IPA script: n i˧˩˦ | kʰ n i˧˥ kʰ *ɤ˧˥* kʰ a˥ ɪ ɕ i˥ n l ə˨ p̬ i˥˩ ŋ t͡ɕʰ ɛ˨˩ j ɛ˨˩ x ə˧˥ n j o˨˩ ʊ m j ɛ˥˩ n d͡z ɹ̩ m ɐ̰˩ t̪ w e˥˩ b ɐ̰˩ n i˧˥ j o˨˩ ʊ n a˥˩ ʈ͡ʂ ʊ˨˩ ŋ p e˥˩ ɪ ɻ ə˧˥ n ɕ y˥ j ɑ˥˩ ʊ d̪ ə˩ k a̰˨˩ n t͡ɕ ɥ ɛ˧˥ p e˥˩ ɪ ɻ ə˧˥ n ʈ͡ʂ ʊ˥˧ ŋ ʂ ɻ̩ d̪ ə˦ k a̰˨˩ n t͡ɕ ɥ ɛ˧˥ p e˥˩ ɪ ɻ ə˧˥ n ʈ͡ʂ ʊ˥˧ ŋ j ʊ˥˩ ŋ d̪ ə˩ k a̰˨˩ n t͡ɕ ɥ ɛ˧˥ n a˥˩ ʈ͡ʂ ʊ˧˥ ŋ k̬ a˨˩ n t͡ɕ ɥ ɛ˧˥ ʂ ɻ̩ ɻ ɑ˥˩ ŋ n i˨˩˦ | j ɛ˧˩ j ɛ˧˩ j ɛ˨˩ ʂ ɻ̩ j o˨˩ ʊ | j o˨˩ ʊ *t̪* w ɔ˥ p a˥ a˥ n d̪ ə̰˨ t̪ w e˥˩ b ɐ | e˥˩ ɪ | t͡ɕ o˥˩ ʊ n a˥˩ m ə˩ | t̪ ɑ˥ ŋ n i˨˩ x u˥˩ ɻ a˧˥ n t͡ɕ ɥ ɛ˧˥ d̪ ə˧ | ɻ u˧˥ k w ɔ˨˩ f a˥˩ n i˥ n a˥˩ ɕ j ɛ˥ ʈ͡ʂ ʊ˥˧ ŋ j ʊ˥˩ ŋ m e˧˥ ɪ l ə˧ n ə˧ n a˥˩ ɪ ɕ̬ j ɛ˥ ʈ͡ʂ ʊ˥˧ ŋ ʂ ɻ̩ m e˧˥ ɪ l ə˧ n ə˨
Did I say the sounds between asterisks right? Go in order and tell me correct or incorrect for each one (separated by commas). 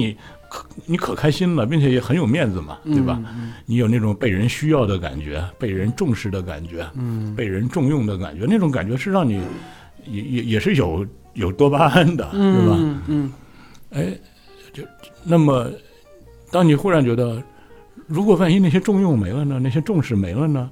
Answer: incorrect, correct